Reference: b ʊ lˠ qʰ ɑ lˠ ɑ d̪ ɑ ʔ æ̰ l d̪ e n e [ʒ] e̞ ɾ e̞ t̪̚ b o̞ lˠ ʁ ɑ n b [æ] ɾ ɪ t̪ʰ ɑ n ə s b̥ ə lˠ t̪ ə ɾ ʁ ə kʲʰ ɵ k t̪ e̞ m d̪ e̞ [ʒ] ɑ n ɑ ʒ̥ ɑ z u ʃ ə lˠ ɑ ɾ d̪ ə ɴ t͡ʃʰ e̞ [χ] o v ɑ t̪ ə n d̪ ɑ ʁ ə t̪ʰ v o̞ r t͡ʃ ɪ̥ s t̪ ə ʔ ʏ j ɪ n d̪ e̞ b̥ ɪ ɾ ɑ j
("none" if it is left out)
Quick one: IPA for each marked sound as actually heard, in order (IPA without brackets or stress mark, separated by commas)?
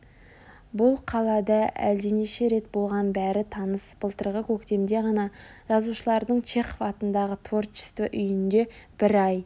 ʃ, æ, ʁ, χ